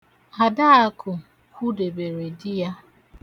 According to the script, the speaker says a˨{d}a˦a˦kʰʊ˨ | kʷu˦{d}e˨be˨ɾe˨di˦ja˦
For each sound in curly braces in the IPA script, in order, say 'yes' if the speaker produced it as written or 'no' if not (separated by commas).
yes, yes